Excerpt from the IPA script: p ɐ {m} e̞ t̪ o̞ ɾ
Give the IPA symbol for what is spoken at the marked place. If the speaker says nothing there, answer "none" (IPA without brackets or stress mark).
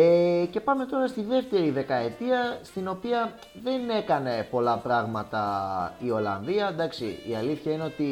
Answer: m